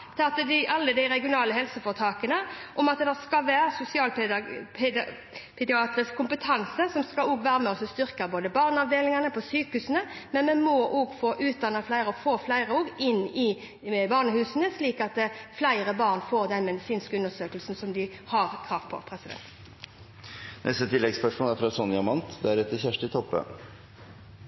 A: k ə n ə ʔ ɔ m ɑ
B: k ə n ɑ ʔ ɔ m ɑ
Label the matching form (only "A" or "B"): A